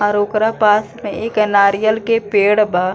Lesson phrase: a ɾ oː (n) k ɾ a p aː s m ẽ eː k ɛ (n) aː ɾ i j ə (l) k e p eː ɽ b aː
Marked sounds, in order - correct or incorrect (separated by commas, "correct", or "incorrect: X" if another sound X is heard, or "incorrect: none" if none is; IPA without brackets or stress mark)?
incorrect: none, correct, correct